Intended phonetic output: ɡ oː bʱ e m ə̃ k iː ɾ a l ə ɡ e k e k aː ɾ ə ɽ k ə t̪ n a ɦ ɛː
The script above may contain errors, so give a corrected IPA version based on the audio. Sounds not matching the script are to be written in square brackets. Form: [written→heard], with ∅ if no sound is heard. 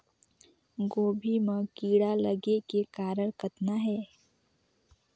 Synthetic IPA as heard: ɡ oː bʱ [e→i] m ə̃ k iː [ɾ→ɽ] a l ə ɡ e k e k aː ɾ ə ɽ k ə t̪ n a ɦ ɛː